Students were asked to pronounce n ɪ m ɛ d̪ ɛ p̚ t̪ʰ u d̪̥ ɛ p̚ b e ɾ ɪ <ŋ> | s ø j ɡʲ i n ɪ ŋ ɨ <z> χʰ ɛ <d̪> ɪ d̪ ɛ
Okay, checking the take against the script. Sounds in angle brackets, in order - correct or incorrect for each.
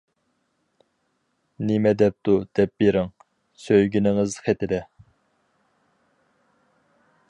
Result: correct, correct, incorrect

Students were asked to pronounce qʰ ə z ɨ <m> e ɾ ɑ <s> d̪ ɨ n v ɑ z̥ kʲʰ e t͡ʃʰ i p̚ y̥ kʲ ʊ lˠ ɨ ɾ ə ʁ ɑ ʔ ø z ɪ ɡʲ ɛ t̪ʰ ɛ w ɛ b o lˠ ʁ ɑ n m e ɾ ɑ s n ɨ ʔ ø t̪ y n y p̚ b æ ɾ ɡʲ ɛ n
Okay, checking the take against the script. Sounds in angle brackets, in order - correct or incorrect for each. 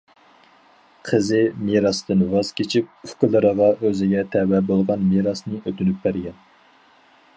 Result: correct, correct

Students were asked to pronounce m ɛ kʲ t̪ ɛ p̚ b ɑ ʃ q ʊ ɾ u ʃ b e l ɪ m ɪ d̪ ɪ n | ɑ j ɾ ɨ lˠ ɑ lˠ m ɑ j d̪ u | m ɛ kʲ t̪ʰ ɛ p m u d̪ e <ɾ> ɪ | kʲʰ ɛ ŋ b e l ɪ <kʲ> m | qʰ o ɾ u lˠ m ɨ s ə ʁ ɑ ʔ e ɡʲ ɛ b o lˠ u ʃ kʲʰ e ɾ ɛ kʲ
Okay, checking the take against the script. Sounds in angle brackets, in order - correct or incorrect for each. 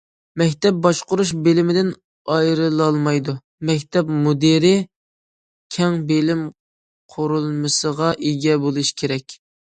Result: correct, incorrect

